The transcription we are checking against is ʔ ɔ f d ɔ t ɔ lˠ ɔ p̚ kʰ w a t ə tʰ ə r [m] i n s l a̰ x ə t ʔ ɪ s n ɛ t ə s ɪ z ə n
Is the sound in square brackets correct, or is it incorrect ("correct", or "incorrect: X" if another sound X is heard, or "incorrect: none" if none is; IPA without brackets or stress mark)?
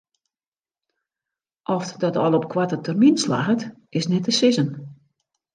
correct